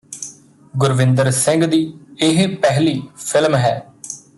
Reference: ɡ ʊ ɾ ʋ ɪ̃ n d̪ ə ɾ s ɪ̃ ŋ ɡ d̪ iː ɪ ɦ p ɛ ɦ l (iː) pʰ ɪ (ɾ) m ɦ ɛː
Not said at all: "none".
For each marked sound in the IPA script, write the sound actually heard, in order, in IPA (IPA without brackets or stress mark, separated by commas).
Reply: iː, l